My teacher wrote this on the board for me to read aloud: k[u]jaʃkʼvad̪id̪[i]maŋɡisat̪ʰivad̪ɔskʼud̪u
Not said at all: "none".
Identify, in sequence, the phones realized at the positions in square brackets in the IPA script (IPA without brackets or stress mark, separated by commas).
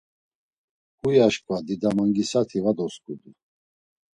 u, a